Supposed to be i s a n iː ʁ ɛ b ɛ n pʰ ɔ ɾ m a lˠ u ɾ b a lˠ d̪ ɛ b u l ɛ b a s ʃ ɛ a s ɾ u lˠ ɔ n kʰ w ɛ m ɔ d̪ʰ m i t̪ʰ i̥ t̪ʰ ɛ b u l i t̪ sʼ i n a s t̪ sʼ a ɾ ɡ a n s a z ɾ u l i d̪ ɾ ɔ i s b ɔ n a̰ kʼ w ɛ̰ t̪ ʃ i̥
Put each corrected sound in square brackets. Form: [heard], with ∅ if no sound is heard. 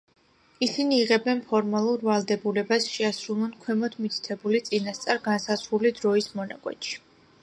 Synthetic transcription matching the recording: i s [i] n iː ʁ ɛ b ɛ n pʰ ɔ ɾ m a lˠ u ɾ [v] a lˠ d̪ ɛ b u l ɛ b a s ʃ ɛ a s ɾ u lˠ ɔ n kʰ w ɛ m ɔ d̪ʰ m i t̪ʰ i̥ t̪ʰ ɛ b u l i t̪ sʼ i n a s t̪ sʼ a ɾ ɡ a n s a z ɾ u l i d̪ ɾ ɔ i s [m] ɔ n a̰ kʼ w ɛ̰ t̪ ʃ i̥